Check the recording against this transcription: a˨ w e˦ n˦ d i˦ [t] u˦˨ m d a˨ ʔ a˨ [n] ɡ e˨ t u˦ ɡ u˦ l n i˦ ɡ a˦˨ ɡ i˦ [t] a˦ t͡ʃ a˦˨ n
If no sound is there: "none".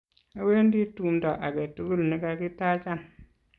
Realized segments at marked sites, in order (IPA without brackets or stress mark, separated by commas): t, none, t